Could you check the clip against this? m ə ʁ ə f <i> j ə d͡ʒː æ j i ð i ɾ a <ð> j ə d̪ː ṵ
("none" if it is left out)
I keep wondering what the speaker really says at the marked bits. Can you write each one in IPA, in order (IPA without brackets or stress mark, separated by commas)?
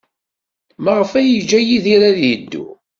æ, ð